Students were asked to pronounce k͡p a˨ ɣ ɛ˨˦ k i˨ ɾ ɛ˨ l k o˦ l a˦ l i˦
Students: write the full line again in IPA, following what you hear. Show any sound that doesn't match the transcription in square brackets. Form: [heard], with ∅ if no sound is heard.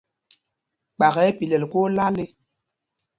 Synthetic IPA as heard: k͡p a˨ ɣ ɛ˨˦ [p] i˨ [l] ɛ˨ l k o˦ l a˦ l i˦